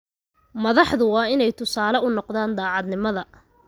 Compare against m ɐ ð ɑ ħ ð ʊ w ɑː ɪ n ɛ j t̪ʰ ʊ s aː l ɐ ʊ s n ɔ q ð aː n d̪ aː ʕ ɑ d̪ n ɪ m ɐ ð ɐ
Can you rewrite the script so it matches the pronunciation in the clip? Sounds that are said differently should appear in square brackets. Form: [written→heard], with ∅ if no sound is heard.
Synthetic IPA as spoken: m ɐ ð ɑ ħ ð ʊ w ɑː ɪ n ɛ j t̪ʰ ʊ s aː l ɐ ʊ [s→∅] n ɔ q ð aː n d̪ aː ʕ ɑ d̪ n ɪ m ɐ ð ɐ